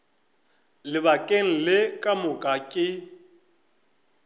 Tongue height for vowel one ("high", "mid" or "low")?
high